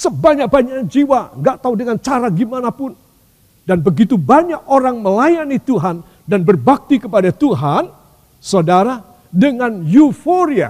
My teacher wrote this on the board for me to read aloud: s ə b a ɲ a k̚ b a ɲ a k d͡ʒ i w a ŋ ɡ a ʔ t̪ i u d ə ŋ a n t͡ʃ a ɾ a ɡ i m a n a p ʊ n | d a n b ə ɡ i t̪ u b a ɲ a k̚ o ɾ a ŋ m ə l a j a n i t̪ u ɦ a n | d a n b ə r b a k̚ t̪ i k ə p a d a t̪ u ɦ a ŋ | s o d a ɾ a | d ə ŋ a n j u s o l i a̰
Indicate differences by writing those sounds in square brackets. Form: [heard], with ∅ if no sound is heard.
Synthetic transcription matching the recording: s ə b a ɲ a k̚ b a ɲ a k d͡ʒ i w a ŋ ɡ a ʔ t̪ [a] u d ə ŋ a n t͡ʃ a ɾ a ɡ i m a n a p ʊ n | d a n b ə ɡ i t̪ u b a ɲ a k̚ o ɾ a ŋ m ə l a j a n i t̪ u ɦ a n | d a n b ə r b a k̚ t̪ i k ə p a d a t̪ u ɦ a [n] | s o d a ɾ a | d ə ŋ a n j u [f] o [ɾ] i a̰